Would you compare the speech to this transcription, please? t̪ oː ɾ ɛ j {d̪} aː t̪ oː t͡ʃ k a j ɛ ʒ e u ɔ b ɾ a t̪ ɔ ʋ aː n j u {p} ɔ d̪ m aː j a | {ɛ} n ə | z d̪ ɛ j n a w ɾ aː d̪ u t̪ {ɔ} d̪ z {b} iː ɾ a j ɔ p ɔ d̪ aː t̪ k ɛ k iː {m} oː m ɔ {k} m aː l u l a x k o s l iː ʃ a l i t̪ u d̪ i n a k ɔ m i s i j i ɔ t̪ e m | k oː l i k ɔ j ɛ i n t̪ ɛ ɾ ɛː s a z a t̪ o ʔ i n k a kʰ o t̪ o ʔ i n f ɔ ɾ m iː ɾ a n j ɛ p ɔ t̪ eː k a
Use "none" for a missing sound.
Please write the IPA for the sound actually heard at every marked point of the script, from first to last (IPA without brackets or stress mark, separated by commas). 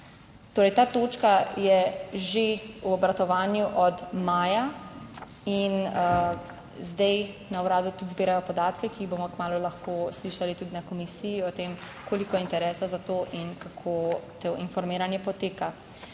t̪, ʔ, i, u, b, b, k